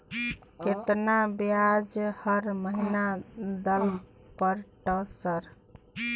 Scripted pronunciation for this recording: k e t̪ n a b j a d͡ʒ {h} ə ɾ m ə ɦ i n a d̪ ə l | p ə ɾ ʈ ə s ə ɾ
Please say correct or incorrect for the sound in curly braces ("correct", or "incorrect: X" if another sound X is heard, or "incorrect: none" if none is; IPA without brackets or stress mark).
correct